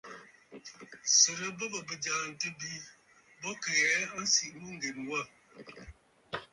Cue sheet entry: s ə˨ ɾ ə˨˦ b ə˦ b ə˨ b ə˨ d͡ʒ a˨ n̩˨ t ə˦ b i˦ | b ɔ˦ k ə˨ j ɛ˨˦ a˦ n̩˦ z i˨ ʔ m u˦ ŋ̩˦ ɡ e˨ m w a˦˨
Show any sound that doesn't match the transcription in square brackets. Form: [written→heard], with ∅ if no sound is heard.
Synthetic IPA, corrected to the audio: s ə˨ ɾ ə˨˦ b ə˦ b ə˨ b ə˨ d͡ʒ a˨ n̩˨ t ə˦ b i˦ | b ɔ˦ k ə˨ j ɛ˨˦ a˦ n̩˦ [z→s] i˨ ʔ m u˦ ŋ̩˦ ɡ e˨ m w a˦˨